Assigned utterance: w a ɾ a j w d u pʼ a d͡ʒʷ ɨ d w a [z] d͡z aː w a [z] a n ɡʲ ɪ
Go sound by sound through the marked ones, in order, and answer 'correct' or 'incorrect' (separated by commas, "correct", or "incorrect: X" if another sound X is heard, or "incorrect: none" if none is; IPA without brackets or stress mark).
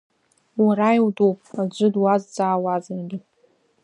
correct, correct